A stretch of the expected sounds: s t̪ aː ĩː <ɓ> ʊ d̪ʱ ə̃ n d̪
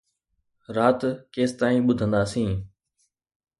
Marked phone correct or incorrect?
correct